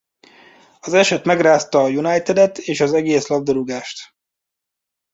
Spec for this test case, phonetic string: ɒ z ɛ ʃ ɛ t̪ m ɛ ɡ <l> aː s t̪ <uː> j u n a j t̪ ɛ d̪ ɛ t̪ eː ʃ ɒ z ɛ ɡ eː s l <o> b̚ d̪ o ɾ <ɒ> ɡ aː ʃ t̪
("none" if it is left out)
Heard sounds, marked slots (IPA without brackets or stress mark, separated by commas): r, ɒː, ɒ, u